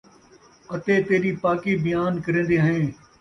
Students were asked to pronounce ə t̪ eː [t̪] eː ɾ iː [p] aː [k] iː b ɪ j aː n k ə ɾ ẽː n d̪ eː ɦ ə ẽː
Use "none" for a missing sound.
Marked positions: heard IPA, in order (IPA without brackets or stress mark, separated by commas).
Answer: t̪, p, k